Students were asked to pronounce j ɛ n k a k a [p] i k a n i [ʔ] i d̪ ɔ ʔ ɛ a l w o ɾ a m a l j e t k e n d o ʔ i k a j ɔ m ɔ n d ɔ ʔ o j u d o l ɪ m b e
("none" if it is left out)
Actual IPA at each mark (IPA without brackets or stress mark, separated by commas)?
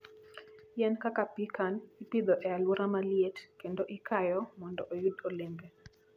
p, p